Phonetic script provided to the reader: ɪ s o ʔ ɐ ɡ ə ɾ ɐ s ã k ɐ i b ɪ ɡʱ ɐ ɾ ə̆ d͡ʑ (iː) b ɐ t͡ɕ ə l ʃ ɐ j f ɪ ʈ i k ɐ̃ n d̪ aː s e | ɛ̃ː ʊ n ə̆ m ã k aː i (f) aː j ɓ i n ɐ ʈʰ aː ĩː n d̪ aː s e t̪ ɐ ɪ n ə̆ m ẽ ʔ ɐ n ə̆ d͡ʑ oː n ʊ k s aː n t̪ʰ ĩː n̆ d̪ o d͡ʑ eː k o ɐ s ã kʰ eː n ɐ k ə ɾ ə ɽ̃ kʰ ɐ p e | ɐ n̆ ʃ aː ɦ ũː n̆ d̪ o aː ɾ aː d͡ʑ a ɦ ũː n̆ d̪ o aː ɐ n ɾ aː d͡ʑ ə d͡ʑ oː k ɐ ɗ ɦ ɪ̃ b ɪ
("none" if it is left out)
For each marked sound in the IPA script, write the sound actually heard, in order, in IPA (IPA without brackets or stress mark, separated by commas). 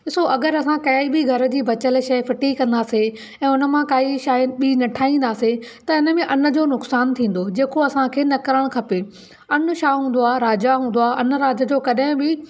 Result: iː, ʃ